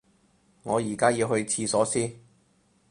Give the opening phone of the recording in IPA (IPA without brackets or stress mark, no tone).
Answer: ŋ